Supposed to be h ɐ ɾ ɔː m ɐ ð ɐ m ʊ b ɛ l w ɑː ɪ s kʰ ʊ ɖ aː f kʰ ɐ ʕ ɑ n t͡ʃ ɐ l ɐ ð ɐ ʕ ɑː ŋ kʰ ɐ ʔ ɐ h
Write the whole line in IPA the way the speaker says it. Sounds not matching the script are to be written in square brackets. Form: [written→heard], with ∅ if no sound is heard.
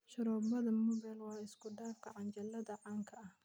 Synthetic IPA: [h→ʃ] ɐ ɾ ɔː [m→b] ɐ ð ɐ m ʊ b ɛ l w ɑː ɪ s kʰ ʊ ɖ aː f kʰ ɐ ʕ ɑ n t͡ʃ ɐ l ɐ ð ɐ ʕ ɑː ŋ kʰ ɐ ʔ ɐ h